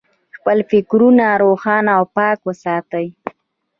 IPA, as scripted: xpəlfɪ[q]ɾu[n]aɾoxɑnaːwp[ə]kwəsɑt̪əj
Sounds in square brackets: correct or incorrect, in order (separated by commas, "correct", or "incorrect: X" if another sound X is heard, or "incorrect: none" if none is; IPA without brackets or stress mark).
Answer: incorrect: k, correct, incorrect: ɑ